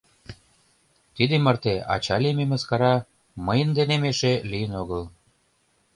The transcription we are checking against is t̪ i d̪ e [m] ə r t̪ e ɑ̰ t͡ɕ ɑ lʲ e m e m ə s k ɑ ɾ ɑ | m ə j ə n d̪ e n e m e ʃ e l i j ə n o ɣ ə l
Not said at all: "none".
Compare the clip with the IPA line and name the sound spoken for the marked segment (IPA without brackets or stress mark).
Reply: m